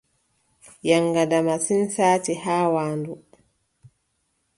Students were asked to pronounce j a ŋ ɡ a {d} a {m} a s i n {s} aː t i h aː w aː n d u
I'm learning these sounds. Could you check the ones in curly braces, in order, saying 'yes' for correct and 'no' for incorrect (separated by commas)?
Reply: yes, yes, yes